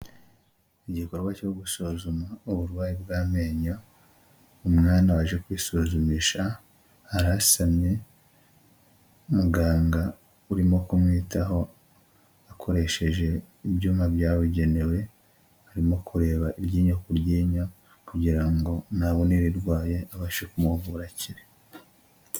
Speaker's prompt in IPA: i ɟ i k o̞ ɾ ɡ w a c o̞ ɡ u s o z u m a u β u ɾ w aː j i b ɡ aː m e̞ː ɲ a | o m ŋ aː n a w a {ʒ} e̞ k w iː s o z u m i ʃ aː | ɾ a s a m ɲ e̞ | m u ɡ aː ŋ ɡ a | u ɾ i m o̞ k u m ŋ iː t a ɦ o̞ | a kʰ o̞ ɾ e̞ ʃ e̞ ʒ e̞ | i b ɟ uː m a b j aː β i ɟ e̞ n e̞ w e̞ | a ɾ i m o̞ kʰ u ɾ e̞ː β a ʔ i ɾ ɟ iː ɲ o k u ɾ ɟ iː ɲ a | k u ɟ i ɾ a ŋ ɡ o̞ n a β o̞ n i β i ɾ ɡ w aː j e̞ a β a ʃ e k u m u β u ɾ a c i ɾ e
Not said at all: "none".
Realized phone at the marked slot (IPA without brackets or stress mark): ʒ